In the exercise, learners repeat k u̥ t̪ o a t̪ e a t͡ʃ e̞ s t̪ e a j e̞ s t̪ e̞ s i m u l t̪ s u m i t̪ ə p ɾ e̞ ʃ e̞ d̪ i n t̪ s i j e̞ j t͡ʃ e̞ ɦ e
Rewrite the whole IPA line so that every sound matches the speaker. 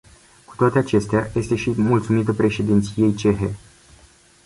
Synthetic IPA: k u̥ t̪ o a t̪ e a t͡ʃ e̞ s t̪ e a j e̞ s t̪ e̞ ʃ i m u l t̪ s u m i t̪ ə p ɾ e̞ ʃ e̞ d̪ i n t̪ s i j e̞ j t͡ʃ e̞ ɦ e